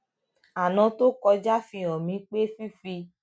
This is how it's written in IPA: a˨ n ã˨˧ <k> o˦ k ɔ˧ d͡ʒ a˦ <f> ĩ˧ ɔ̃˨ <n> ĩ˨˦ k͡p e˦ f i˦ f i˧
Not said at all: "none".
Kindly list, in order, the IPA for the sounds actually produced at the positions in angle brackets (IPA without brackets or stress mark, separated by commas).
t, f, m